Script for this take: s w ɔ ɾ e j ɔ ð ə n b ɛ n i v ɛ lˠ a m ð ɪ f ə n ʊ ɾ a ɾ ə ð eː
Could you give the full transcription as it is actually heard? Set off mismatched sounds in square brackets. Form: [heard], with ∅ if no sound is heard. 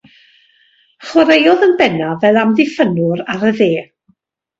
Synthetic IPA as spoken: [χ] w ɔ ɾ e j ɔ ð ə n b ɛ n [a] v ɛ lˠ a m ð ɪ f ə n ʊ ɾ a ɾ ə ð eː